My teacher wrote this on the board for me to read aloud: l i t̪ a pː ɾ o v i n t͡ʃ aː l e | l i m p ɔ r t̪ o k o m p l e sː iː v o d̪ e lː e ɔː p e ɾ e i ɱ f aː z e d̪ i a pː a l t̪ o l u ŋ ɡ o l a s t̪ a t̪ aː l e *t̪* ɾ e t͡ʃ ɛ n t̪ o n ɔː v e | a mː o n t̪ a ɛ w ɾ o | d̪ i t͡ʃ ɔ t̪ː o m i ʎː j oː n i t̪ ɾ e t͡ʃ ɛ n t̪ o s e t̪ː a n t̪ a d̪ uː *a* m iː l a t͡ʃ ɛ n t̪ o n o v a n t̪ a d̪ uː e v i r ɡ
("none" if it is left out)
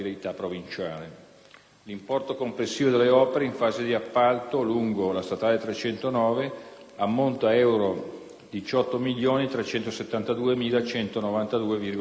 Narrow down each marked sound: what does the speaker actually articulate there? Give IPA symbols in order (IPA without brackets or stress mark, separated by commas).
t̪, e